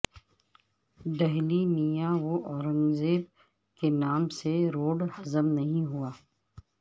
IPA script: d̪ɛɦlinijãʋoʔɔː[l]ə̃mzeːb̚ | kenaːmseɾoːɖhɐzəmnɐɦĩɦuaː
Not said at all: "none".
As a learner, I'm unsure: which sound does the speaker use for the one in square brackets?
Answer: ɾ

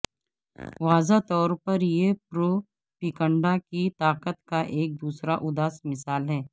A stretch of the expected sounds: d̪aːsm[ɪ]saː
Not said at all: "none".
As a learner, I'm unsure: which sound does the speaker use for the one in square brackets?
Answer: ɪ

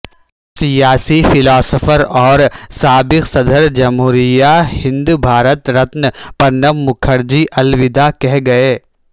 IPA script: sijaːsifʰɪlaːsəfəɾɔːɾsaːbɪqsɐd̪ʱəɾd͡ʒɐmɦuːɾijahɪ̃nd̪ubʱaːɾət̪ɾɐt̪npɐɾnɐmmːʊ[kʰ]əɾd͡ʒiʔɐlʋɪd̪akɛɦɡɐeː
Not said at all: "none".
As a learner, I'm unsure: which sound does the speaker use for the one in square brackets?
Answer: kʰ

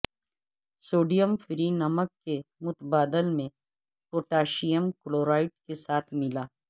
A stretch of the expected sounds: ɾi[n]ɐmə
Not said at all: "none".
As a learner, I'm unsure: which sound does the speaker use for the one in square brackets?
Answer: n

